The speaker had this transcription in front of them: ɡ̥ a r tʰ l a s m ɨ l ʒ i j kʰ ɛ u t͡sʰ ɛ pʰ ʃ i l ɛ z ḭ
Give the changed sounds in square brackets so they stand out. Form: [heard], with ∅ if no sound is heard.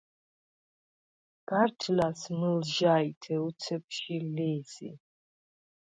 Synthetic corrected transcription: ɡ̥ a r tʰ l a s m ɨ l ʒ [a] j [tʰ] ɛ u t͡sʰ ɛ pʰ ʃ i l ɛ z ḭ